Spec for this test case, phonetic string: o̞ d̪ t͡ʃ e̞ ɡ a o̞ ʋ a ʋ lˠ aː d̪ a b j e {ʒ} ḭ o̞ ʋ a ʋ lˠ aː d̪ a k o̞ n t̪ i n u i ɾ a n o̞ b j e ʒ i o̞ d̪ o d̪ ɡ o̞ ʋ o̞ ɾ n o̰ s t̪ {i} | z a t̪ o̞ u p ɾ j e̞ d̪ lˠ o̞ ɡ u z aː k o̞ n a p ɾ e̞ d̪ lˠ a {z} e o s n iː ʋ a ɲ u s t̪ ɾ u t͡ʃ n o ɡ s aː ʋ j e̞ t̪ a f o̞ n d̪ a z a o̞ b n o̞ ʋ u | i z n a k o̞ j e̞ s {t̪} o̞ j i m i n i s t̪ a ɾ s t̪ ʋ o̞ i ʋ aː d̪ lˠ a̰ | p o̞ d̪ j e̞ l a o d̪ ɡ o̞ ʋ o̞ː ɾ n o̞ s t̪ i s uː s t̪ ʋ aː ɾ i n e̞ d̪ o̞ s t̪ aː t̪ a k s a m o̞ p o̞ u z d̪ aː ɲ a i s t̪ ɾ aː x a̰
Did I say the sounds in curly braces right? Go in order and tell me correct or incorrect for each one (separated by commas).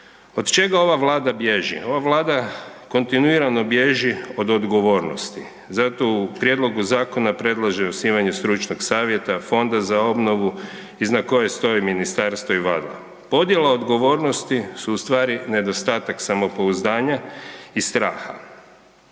correct, correct, incorrect, correct